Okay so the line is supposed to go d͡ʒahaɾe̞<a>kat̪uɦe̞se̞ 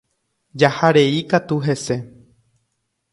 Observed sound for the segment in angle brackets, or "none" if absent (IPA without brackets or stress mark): i